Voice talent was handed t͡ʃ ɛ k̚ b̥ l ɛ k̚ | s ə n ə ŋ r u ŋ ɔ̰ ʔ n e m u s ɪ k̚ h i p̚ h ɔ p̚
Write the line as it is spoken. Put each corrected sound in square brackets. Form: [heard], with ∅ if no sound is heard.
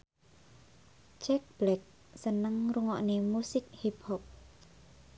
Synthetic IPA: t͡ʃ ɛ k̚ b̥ l ɛ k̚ | s ə n ə ŋ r u ŋ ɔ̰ ʔ n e m u s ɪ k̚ h i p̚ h ɔ p̚